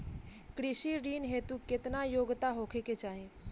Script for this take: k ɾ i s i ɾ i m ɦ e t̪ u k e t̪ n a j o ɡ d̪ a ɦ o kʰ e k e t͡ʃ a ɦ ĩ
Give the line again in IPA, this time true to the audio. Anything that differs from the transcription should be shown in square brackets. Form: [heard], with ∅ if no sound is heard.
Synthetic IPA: k ɾ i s i ɾ i [n] ɦ e t̪ u k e t̪ n a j o ɡ [t̪] a ɦ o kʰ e k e t͡ʃ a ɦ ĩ